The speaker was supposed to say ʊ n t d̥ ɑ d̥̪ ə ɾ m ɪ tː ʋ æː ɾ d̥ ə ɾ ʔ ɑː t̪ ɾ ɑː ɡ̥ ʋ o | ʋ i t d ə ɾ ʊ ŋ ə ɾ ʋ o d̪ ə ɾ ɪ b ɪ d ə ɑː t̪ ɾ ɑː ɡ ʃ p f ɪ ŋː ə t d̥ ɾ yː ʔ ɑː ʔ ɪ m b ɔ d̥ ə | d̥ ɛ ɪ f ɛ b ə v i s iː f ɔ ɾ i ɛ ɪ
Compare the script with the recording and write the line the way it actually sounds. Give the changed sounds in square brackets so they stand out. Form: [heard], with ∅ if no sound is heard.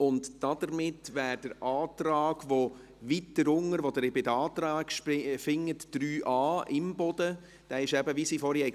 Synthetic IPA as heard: ʊ n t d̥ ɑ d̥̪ ə ɾ m ɪ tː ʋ æː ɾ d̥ ə ɾ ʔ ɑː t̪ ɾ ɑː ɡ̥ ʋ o | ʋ i t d ə ɾ ʊ ŋ ə ɾ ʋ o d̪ ə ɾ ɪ b ɪ d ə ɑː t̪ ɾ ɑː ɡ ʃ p f ɪ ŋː ə t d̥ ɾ yː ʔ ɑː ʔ ɪ m b ɔ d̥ ə | d̥ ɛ ɪ [ʃ] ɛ b ə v i s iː f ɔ ɾ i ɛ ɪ